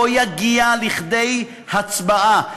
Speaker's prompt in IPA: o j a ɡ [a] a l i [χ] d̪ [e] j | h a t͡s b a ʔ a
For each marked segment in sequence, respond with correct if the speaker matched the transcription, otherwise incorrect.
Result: incorrect: i, correct, correct

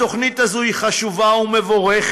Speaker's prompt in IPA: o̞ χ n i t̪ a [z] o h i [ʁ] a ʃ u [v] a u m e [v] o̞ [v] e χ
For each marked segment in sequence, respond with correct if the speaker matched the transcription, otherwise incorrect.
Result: correct, incorrect: χ, correct, correct, incorrect: ʁ

